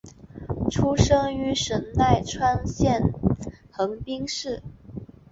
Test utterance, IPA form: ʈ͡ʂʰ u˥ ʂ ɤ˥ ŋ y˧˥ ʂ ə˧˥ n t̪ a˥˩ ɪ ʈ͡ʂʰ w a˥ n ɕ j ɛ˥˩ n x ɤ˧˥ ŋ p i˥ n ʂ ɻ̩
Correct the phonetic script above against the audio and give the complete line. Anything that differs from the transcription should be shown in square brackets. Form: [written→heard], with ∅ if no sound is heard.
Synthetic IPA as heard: ʈ͡ʂʰ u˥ ʂ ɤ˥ ŋ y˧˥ ʂ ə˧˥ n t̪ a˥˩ ɪ ʈ͡ʂʰ w a˥ n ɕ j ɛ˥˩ n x ɤ˧˥ ŋ p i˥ [n→ŋ] ʂ ɻ̩